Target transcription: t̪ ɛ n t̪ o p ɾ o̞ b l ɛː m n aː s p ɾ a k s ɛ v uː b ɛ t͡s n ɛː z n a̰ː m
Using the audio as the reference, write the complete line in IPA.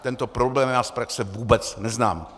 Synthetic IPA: t̪ ɛ n t̪ o p ɾ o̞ b l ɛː m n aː s p ɾ a k s ɛ v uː b ɛ t͡s n ɛ z n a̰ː m